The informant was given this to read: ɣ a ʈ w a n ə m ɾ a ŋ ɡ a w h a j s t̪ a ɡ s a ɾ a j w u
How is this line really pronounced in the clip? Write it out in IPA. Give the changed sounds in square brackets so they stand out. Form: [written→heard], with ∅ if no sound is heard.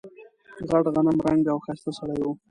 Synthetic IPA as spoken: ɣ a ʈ [w→ɣ] a n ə m ɾ a ŋ ɡ a w [h→x] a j s t̪ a [ɡ→∅] s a [ɾ→ɽ] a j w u

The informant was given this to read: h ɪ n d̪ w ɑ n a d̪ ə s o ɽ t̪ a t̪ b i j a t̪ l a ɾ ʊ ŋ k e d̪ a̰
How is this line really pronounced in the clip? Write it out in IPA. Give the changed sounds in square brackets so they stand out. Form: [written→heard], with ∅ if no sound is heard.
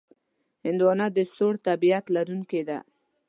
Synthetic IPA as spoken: h ɪ n d̪ w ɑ n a d̪ ə s o ɽ t̪ a [t̪→∅] b i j a t̪ l a ɾ [ʊ→u] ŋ k e d̪ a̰

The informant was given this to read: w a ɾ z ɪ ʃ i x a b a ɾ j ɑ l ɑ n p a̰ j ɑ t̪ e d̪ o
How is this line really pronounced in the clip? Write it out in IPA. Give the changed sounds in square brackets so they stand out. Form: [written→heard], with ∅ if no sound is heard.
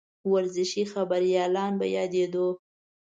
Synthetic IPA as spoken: w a ɾ z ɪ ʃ i x a b a ɾ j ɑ l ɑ n [p→b] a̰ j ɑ [t̪→d̪] e d̪ o

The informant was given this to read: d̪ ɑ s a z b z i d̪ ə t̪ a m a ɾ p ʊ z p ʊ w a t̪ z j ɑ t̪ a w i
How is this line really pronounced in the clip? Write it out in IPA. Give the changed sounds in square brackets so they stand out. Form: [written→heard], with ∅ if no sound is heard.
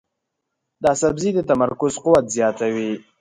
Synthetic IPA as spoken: d̪ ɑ s a [z→∅] b z i d̪ ə t̪ a m a ɾ [p→k] ʊ z [p→q] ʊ w a t̪ z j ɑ t̪ a w i

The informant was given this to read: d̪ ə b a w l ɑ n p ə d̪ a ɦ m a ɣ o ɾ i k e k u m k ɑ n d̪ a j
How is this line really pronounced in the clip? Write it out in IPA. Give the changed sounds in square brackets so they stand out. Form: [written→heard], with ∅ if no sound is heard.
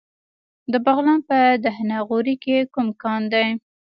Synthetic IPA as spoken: d̪ ə b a [w→ɣ] l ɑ n p ə d̪ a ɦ [m→n] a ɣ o ɾ i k e k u m k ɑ n d̪ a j

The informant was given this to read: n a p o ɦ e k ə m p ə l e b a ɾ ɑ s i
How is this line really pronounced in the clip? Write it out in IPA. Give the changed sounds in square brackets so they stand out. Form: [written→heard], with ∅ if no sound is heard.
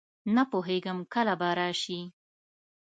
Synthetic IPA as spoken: n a p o ɦ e [k→ɡ] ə m [p→k] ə l [e→a] b a ɾ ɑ [s→ʃ] i

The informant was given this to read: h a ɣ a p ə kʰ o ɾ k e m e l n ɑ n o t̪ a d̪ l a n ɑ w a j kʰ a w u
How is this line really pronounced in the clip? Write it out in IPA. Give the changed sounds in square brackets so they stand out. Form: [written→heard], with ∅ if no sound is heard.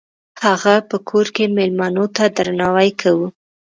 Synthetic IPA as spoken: h a ɣ a p ə kʰ o ɾ k e m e l [n→m] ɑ n o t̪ a d̪ [l→ɾ] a n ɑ w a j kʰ a w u

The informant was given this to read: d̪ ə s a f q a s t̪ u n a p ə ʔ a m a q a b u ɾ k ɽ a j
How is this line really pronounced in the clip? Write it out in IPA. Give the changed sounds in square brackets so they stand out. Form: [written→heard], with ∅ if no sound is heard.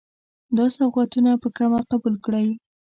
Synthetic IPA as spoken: d̪ [ə→ɑ] s a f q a [s→∅] t̪ u n a p ə [ʔ→k] a m a q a b u [ɾ→l] k ɽ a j

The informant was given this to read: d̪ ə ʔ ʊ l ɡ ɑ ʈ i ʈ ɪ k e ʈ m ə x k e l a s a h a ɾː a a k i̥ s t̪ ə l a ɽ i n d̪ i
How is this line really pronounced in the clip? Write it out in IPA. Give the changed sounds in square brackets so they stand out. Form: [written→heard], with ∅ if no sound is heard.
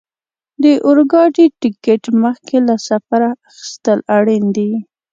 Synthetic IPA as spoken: d̪ ə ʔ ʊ [l→ɾ] ɡ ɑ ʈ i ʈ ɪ k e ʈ m ə x k e l a s a [h→f] a [ɾː→ɾ] a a [k→x] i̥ s t̪ ə l a ɽ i n d̪ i

